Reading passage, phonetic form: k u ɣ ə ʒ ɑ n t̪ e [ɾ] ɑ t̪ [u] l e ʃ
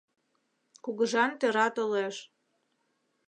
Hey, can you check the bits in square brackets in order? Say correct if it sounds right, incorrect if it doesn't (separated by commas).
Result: correct, incorrect